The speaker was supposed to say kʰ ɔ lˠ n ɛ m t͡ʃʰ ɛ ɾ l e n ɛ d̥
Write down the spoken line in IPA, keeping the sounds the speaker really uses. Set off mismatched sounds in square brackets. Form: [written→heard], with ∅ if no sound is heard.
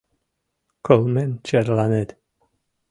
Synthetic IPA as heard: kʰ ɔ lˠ [n→m] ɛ [m→n] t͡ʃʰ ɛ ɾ l [e→a] n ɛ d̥